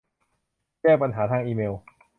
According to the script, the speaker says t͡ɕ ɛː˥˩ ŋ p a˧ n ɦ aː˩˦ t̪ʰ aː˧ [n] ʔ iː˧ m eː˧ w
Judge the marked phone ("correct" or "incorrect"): incorrect